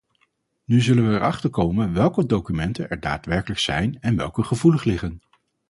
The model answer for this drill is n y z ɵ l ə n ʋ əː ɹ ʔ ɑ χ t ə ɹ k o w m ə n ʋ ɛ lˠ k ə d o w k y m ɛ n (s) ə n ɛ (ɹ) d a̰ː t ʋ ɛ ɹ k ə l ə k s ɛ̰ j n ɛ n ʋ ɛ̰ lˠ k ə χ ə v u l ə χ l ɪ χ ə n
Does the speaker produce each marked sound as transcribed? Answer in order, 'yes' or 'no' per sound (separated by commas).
no, yes